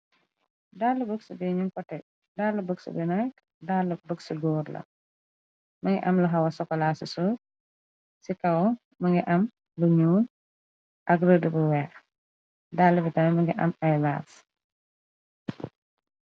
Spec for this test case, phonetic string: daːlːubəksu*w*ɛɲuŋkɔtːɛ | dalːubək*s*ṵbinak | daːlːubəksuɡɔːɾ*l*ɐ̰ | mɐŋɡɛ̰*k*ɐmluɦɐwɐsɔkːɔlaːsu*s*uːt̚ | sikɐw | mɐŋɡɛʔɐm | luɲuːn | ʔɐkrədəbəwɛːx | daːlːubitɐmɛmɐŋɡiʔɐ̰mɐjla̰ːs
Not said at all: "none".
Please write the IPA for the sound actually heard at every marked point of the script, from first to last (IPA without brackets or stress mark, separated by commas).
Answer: b, s, l, ʔ, s